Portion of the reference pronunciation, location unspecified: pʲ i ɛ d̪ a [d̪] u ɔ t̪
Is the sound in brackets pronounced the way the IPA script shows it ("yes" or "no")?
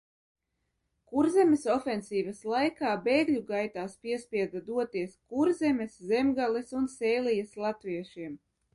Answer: yes